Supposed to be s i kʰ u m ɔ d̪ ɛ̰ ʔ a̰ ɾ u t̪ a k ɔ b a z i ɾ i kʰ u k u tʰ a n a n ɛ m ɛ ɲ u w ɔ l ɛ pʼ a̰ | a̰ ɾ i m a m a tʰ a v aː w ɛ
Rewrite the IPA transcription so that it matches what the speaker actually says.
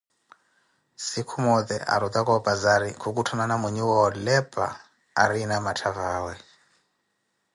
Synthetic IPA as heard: s i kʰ u m ɔ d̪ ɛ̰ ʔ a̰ ɾ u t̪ a k ɔ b a z a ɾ i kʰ u k u tʰ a n a n a m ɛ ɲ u w ɔ l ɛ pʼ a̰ | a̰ ɾ i n a m a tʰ a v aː w ɛ